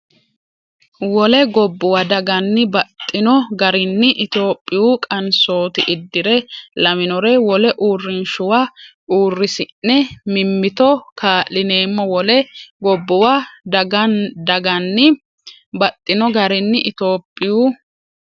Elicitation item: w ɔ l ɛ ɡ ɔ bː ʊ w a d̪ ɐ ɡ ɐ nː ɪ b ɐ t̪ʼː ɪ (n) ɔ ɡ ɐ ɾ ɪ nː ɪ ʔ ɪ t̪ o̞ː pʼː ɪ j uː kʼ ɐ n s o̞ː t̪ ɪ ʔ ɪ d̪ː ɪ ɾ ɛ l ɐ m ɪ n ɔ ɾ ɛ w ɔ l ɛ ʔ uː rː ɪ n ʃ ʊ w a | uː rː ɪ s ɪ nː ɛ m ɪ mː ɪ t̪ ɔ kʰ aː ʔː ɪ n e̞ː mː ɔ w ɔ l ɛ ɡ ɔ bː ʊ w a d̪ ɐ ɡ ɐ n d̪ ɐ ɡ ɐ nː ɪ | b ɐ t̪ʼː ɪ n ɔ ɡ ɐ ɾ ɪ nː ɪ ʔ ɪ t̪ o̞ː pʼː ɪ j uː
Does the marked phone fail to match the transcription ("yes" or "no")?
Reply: no